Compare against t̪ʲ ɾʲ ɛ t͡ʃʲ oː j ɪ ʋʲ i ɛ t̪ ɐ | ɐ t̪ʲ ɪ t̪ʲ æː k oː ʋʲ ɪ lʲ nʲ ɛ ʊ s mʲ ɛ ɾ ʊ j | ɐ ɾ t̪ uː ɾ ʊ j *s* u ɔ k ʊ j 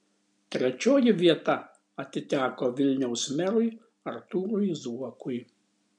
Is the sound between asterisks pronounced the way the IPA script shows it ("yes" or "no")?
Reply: no